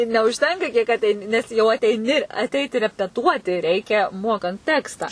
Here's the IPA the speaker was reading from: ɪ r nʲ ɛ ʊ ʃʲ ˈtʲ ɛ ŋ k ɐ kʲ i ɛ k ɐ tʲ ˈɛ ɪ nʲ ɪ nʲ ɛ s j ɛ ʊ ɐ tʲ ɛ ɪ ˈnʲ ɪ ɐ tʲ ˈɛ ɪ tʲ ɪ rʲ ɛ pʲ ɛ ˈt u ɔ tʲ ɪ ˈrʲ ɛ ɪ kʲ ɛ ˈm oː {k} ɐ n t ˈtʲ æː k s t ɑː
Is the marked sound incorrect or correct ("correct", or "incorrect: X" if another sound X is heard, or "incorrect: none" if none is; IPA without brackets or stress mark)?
correct